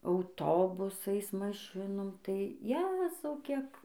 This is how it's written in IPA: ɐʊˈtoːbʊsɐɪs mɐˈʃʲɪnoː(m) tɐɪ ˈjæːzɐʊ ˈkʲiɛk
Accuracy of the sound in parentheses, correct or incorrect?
correct